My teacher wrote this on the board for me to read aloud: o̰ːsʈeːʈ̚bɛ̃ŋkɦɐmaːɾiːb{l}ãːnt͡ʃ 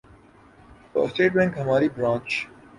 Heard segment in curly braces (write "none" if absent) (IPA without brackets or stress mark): ɾ